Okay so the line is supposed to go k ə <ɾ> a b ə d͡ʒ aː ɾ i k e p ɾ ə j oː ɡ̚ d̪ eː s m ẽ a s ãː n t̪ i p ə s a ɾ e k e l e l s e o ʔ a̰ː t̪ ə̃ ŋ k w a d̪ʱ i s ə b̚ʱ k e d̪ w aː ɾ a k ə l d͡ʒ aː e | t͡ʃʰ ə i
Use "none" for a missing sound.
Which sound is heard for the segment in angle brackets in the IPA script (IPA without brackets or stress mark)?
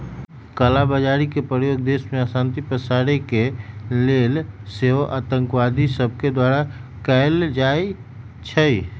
l